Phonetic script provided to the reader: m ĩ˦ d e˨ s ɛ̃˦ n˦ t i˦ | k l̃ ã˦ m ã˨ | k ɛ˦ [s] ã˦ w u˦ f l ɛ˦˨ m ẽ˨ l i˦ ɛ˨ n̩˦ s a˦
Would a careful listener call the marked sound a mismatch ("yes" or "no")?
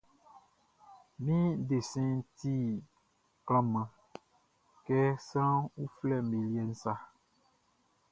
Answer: no